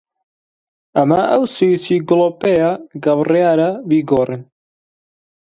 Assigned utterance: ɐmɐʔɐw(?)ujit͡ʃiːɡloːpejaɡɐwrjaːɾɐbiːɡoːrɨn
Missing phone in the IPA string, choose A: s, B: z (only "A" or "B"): A